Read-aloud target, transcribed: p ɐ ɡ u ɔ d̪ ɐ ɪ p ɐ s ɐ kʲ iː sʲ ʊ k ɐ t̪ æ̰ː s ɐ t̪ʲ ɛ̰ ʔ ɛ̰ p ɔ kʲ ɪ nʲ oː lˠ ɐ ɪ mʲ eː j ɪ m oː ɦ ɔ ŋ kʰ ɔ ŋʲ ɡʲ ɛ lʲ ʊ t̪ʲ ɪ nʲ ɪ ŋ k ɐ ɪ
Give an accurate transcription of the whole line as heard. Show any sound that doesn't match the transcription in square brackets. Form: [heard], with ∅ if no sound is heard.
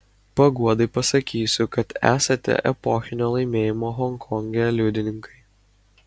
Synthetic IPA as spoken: p ɐ ɡ u ɔ d̪ ɐ ɪ p ɐ s ɐ kʲ iː sʲ ʊ k ɐ t̪ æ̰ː s ɐ t̪ʲ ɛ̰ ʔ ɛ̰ p ɔ [xʲ] ɪ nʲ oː lˠ ɐ ɪ mʲ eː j ɪ m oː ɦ ɔ ŋ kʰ ɔ ŋʲ ɡʲ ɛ lʲ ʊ [d̪ʲ] ɪ nʲ ɪ ŋ k ɐ ɪ